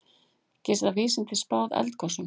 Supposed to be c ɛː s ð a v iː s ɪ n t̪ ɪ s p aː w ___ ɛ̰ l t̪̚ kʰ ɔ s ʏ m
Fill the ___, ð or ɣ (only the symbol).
ð